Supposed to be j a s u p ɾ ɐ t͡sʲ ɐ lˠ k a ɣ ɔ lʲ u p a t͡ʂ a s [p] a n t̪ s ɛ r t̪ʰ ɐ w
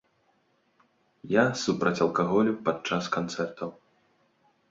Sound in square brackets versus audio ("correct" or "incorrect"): incorrect